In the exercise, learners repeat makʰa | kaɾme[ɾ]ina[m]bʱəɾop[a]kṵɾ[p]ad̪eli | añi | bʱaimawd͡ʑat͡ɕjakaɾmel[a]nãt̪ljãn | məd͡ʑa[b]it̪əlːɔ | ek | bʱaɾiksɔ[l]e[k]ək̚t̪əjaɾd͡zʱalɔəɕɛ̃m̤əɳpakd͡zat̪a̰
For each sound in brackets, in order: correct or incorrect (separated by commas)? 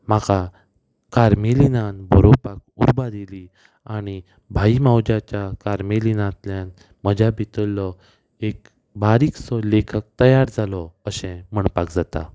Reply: incorrect, incorrect, correct, incorrect, incorrect, correct, correct, incorrect